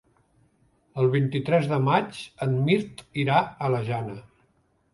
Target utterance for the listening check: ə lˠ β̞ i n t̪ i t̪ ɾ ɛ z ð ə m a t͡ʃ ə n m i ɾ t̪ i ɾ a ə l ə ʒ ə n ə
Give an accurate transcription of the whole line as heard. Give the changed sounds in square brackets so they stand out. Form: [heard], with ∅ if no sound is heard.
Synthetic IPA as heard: ə lˠ β̞ i n t̪ i t̪ ɾ ɛ z ð ə m a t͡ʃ ə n m i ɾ t̪ i ɾ a ə l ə ʒ [a] n ə